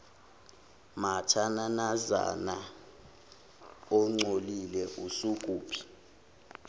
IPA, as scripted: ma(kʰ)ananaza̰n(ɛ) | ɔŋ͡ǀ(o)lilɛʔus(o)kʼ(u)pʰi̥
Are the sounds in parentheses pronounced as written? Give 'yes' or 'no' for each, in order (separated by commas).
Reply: no, no, yes, no, no